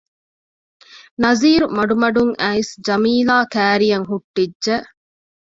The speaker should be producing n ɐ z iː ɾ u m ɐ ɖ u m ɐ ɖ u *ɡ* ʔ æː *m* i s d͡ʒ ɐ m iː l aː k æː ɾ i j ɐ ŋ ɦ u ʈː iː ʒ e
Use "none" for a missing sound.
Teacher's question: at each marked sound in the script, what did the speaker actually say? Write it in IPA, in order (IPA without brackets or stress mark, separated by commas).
ŋ, none